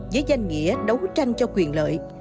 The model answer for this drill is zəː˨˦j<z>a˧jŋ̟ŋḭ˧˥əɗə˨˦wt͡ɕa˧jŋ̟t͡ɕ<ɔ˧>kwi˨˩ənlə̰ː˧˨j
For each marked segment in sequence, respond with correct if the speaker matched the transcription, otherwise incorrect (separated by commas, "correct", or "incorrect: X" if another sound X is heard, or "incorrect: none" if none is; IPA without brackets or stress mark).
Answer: correct, correct